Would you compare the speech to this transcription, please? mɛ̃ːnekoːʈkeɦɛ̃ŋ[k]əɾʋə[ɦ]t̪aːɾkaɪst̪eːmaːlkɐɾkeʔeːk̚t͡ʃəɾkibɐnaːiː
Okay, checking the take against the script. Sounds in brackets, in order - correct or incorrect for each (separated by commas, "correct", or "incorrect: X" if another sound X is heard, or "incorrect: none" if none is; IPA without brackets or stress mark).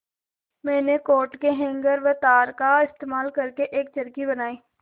incorrect: ɡ, incorrect: none